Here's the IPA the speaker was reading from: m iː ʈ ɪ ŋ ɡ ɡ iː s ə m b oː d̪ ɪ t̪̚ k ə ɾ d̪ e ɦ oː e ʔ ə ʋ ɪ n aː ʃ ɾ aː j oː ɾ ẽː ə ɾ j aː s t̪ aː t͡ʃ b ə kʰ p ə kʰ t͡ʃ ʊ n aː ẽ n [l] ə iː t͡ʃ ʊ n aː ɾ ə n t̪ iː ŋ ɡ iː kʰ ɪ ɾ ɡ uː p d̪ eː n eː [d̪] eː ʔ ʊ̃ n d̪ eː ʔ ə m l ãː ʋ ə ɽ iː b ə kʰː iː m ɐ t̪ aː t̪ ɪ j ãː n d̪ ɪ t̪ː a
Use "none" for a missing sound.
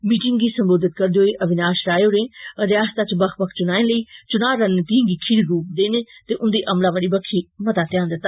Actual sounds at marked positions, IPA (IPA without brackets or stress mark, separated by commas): l, t̪